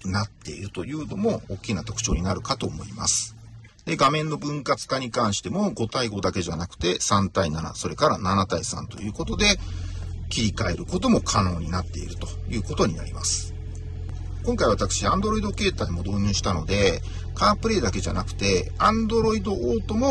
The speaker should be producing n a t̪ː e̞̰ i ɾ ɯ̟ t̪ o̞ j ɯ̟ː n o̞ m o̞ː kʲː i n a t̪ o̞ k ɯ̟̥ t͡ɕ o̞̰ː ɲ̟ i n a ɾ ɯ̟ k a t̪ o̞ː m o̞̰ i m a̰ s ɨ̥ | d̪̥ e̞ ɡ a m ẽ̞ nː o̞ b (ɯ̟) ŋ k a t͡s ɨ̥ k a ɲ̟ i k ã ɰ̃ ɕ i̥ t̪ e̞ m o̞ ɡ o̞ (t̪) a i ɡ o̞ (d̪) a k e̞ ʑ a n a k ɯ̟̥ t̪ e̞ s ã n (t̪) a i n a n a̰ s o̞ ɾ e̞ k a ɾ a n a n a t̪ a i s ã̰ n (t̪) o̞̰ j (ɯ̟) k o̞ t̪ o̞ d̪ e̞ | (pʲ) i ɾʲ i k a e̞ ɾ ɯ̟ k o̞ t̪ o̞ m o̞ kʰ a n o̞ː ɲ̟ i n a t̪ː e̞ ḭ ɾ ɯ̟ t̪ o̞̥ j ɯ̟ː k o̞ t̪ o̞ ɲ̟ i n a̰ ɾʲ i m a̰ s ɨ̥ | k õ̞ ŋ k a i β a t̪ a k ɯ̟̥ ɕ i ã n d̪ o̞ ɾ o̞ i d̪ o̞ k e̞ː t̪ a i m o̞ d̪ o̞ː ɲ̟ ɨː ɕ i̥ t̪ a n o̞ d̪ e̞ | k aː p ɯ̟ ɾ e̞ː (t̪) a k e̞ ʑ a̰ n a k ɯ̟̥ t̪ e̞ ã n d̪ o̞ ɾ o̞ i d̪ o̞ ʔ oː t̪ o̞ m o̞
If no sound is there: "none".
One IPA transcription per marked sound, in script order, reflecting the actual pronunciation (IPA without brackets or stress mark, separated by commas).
ɯ̟̃, t̪, d̪, t̪, t̪, ɯ̟ː, kʲ, d̪